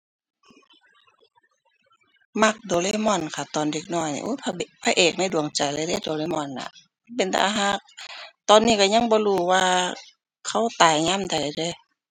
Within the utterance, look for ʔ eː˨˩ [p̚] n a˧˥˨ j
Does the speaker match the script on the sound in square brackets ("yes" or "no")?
no